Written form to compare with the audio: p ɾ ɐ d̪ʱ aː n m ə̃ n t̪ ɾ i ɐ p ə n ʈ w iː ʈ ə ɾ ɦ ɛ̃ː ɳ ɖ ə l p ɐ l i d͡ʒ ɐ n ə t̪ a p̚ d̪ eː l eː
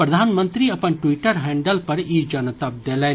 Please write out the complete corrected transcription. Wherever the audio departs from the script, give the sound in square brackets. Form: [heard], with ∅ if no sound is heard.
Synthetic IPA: p ɾ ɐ d̪ʱ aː n m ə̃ n t̪ ɾ i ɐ p ə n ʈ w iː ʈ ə ɾ ɦ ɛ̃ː ɳ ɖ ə l p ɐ [ɾ] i d͡ʒ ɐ n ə t̪ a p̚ d̪ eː l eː